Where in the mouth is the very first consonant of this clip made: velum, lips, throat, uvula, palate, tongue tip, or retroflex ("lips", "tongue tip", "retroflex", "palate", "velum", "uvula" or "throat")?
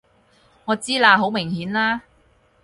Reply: velum